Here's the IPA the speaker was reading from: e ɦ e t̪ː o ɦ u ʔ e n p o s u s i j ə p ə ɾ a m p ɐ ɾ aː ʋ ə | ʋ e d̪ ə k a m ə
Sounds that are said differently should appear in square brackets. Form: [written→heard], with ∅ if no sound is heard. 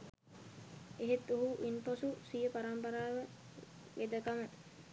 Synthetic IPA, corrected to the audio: e ɦ e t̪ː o ɦ u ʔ [e→i] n p o s u s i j ə p [ə→a] ɾ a m p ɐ ɾ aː ʋ ə | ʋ e d̪ ə k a m ə